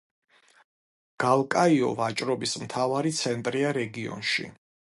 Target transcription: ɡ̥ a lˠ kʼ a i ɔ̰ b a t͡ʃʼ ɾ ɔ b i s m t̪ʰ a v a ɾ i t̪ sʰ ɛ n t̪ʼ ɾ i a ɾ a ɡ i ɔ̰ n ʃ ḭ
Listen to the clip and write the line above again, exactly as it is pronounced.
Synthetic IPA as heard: ɡ̥ a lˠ kʼ a i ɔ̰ v a t͡ʃʼ ɾ ɔ b i s m t̪ʰ a v a ɾ i t̪ sʰ ɛ n t̪ʼ ɾ i a ɾ ɛ ɡ i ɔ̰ n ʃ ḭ